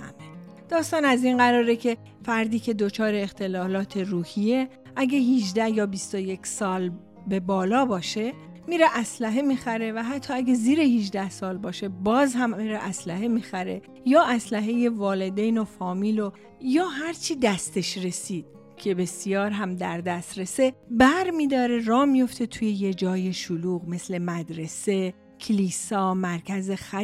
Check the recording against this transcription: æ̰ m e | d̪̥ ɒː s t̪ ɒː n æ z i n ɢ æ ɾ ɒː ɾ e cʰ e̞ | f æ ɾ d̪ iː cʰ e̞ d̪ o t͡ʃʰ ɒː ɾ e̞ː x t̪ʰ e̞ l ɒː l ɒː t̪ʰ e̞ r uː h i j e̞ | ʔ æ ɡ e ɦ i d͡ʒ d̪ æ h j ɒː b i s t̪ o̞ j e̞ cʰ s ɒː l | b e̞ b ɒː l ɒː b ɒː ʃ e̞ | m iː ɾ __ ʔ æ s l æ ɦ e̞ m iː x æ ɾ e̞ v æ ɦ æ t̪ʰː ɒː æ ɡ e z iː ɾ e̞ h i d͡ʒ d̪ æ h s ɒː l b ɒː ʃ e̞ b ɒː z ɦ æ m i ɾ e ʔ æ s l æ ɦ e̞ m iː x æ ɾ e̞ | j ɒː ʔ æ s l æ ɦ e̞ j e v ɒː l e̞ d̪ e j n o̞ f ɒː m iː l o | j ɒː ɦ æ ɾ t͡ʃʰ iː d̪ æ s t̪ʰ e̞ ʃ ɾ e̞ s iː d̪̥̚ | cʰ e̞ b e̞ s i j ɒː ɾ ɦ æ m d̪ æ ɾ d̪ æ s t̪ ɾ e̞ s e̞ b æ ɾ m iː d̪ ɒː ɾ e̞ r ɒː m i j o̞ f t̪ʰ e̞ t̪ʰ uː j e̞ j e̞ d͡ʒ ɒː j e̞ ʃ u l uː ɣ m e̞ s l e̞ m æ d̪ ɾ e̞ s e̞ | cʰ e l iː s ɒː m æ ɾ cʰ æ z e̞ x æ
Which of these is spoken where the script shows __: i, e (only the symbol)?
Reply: e